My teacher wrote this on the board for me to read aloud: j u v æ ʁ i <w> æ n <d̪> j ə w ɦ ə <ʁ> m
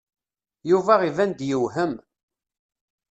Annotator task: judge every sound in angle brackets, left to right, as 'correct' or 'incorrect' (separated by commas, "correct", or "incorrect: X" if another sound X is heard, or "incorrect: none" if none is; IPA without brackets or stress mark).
incorrect: v, correct, incorrect: none